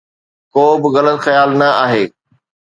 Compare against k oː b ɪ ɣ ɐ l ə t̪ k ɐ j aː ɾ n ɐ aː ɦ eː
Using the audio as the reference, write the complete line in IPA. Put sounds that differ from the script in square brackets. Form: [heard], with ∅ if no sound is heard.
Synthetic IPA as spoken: k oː b ɪ ɣ ɐ l ə t̪ [x] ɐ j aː [l] n ɐ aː ɦ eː